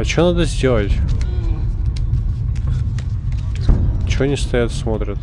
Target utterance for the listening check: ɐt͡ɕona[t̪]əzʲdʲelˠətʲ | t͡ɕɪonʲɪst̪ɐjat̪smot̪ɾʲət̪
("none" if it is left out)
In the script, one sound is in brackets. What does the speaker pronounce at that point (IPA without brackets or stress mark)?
d̪